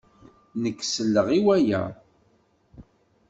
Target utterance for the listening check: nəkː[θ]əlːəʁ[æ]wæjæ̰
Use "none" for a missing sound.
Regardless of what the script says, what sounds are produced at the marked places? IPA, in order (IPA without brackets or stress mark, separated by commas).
s, i